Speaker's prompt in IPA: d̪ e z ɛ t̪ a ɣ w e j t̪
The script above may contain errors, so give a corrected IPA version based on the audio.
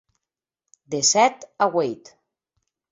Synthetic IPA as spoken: d̪ e s ɛ t̪ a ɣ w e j t̪